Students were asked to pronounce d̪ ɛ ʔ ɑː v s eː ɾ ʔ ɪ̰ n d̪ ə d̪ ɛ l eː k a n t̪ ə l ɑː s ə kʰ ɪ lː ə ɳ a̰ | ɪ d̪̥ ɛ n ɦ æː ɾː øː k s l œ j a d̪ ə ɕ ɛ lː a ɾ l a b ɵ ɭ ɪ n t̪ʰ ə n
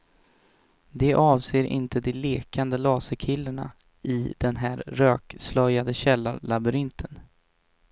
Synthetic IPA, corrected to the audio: d̪ ɛ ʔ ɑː v s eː ɾ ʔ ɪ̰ n t̪ ə d̪ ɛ l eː k a n d̪ ə l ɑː s ə kʰ ɪ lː ə ɳ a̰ | ɪ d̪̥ ɛ n ɦ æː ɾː øː k s l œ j a d̪ ə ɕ ɛ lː a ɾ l a b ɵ ɾ ɪ n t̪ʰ ə n

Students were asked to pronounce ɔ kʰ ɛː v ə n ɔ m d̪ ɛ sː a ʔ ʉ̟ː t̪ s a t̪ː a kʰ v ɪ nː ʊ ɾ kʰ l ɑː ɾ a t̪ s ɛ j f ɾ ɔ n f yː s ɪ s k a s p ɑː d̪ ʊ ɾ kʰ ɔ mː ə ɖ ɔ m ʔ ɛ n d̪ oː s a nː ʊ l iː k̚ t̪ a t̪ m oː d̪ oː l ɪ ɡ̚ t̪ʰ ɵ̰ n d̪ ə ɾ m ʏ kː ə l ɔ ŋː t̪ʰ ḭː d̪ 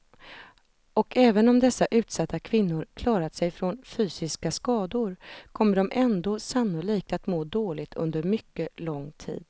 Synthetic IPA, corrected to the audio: ɔ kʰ ɛː v ə n ɔ m d̪ ɛ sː a ʔ ʉ̟ː t̪ s a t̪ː a kʰ v ɪ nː ʊ ɾ kʰ l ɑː ɾ a t̪ s ɛ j f ɾ ɔ n f yː s ɪ s k a s k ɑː d̪ ʊ ɾ kʰ ɔ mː ə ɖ ɔ m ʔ ɛ n d̪ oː s a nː ʊ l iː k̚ t̪ a t̪ m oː d̪ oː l ɪ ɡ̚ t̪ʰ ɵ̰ n d̪ ə ɾ m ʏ kː ə l ɔ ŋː t̪ʰ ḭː d̪

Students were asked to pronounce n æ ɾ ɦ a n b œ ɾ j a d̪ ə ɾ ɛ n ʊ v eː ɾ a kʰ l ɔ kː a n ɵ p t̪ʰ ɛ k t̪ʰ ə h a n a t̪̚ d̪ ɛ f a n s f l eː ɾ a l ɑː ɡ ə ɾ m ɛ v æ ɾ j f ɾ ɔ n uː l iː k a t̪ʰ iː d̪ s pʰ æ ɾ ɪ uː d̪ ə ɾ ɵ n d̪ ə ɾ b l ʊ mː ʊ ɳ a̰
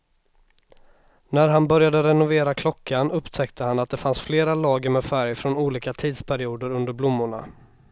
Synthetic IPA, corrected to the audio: n æ ɾ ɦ a n b œ ɾ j a d̪ ə ɾ ɛ n ʊ v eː ɾ a kʰ l ɔ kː a n ɵ p t̪ʰ ɛ k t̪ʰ ə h a n a t̪̚ d̪ ɛ f a n s f l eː ɾ a l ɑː ɡ ə ɾ m ɛ f æ ɾ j f ɾ ɔ n uː l iː k a t̪ʰ iː d̪ s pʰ æ ɾ ɪ uː d̪ ə ɾ ɵ n d̪ ə ɾ b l ʊ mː ʊ ɳ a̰

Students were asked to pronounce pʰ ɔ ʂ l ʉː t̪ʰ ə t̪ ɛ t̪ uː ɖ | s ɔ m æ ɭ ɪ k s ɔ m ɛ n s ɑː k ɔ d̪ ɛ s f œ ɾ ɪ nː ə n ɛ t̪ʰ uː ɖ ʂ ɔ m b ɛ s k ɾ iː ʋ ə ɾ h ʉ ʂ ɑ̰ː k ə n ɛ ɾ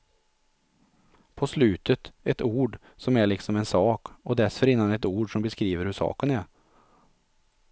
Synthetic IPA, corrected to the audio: pʰ ɔ s l ʉː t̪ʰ ə t̪ ɛ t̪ uː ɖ | s ɔ m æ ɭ ɪ k s ɔ m ɛ n s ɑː k ɔ d̪ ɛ s f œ ɾ ɪ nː a n ɛ t̪ uː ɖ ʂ ɔ m b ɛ s k ɾ iː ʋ ə ɾ h ʉ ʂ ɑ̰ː k ə n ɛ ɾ

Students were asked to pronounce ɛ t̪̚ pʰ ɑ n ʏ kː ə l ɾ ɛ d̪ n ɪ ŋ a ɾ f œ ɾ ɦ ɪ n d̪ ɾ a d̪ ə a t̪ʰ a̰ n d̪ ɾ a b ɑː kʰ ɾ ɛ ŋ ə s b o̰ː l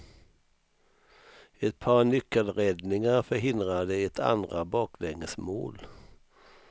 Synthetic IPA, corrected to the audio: ɛ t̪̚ pʰ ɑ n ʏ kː ə l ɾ ɛ d̪ n ɪ ŋ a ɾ f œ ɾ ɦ ɪ n d̪ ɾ a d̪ ə ɛ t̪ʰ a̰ n d̪ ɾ a b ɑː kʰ l ɛ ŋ ə s m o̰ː l

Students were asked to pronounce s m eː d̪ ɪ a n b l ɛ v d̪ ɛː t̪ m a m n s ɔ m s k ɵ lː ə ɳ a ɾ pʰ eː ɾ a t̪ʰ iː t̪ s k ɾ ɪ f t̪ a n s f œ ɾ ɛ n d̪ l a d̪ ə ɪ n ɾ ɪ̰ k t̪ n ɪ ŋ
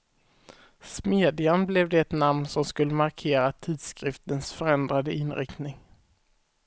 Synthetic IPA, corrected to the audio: s m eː d̪ ɪ a n b l ɛ v d̪ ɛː t̪ n a m n s ɔ m s k ɵ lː ə m a ɾ kʰ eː ɾ a t̪ʰ iː d̪ s k ɾ ɪ f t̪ ə n s f œ ɾ ɛ n d̪ ɾ a d̪ ə ɪ n ɾ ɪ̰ k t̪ n ɪ ŋ

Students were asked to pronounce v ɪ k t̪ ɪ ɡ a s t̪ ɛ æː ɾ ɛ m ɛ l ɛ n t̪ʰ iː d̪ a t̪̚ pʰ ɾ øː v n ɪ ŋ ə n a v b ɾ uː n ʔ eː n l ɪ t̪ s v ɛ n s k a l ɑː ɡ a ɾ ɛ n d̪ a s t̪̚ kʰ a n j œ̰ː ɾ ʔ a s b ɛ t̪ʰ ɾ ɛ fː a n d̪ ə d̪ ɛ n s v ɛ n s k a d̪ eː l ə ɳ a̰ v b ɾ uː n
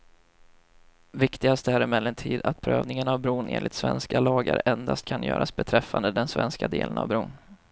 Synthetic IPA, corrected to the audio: v ɪ k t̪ ɪ ɡ a s t̪ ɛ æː ɾ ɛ m ɛ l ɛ n t̪ʰ iː d̪ a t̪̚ pʰ ɾ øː v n ɪ ŋ ə n a v b ɾ uː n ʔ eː n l ɪ t̪ s v ɛ n s k a l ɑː ɡ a ɾ ɛ n d̪ a s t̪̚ kʰ a n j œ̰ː ɾ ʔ a s b ɛ t̪ʰ ɾ ɛ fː a n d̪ ə d̪ ɛ n s v ɛ n s k a d̪ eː l ə n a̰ v b ɾ uː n

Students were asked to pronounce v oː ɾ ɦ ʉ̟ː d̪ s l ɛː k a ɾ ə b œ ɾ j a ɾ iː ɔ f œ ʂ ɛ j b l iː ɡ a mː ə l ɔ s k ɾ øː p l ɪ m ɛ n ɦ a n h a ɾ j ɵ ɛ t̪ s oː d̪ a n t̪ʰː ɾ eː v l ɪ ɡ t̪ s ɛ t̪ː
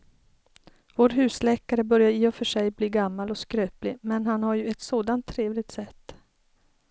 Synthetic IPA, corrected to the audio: v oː ɾ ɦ ʉ̟ː s l ɛː k a ɾ ə b œ ɾ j a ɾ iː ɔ f œ ʂ ɛ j b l iː ɡ a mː a l ɔ s k ɾ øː p l ɪ m ɛ n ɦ a n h a ɾ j ɵ ɛ t̪ s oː d̪ a n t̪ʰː ɾ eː v l ɪ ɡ t̪ s ɛ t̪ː

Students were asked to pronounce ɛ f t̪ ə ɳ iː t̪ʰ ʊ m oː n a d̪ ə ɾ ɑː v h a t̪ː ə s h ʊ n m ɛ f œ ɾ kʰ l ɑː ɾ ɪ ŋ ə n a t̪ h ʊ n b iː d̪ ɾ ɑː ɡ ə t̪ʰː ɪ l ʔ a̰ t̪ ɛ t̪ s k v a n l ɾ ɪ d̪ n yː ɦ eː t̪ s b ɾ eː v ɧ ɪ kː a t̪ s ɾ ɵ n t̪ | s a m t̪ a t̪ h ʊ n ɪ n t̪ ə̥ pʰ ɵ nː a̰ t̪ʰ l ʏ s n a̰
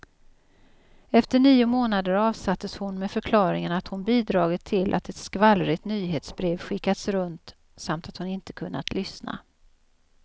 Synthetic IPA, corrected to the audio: ɛ f t̪ ə ɳ iː ʊ m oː n a d̪ ə ɾ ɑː v s a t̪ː ə s h ʊ n m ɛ f œ ɾ kʰ l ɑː ɾ ɪ ŋ ə n a t̪ h ʊ n b iː d̪ ɾ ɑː ɡ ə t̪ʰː ɪ l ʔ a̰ t̪ ɛ t̪ s k v a l ɾ ɪ t̪ n yː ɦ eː t̪ s b ɾ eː v ɧ ɪ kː a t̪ s ɾ ɵ n t̪ | s a m t̪ a t̪ h ʊ n ɪ n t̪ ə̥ kʰ ɵ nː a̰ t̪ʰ l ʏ s n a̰

